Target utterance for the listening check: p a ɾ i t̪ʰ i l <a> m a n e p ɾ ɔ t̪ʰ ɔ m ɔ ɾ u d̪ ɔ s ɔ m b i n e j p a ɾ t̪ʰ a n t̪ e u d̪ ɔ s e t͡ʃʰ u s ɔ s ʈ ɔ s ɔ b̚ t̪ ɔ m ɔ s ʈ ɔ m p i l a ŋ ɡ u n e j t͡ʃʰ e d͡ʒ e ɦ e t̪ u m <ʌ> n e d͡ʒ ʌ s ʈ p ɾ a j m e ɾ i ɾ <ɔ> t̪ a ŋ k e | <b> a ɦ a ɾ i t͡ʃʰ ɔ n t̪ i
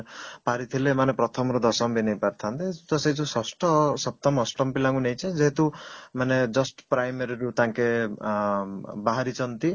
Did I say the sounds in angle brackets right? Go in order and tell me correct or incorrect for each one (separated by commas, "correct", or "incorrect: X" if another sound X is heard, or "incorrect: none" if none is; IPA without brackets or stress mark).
incorrect: e, incorrect: a, incorrect: u, correct